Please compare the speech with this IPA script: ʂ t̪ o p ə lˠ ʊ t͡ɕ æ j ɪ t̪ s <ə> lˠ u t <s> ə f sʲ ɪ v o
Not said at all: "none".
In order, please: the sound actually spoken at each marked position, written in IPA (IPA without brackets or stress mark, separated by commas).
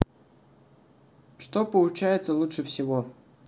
ə, ʂ